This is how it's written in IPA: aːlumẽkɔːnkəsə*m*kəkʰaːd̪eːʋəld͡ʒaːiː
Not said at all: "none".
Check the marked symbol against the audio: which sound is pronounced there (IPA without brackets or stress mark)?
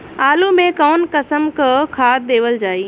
m